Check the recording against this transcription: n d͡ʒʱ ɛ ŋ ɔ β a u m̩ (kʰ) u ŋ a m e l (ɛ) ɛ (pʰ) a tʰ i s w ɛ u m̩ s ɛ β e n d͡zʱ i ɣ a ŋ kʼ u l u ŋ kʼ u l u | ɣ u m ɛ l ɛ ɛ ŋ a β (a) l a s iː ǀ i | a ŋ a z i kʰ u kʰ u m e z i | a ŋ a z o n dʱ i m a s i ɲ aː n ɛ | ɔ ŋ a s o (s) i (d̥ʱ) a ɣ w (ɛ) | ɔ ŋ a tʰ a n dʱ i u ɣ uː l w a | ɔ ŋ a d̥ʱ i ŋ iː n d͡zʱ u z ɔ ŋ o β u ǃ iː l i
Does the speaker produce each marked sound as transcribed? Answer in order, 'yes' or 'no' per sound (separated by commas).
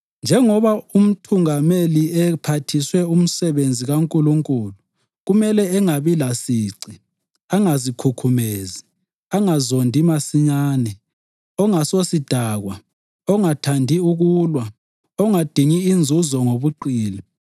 no, no, yes, no, yes, yes, no